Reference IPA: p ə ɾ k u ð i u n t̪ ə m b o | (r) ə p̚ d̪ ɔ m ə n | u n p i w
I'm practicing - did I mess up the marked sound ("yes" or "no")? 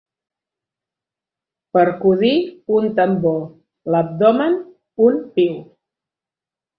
yes